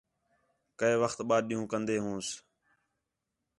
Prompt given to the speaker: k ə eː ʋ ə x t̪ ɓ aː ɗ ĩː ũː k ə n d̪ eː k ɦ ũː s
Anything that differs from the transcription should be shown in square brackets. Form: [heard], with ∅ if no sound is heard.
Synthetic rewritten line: k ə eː ʋ ə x t̪ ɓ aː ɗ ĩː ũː k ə n d̪ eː [∅] ɦ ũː s